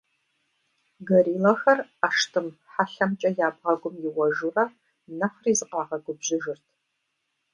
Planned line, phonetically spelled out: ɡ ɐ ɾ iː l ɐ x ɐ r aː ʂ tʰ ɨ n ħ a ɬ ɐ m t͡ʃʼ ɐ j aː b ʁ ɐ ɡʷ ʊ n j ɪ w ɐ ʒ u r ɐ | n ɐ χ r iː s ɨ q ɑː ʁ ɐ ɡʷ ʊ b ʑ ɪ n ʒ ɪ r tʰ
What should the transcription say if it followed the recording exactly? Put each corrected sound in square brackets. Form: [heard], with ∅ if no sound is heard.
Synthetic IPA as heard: ɡ ɐ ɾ iː l ɐ x ɐ r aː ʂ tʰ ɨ [m] ħ a ɬ ɐ m t͡ʃʼ ɐ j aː b ʁ ɐ ɡʷ ʊ [m] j ɪ w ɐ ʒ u r ɐ | n ɐ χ r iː [z] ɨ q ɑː ʁ ɐ ɡʷ ʊ b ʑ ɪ [∅] ʒ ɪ r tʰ